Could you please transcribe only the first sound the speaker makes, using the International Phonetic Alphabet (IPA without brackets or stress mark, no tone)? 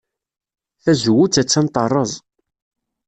θ